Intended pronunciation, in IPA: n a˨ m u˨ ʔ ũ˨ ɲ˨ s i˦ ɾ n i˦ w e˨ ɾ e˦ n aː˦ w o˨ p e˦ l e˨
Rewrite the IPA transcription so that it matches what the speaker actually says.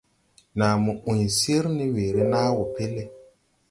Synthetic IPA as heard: n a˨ m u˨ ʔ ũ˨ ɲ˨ s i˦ ɾ n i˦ w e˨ ɾ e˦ n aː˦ w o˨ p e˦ l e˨